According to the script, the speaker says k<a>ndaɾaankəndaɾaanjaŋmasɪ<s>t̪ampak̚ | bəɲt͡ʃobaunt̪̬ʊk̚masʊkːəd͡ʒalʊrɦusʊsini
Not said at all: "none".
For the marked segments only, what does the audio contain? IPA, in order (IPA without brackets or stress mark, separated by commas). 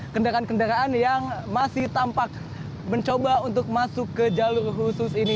ə, h